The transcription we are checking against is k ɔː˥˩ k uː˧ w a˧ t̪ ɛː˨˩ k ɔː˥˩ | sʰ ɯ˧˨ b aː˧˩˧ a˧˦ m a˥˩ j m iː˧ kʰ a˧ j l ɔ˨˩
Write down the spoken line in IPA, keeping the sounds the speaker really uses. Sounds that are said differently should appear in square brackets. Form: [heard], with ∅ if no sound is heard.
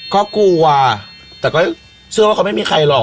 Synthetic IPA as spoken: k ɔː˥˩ k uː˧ w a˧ t̪ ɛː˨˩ k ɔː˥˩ | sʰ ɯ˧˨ [w] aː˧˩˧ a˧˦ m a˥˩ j m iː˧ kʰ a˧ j l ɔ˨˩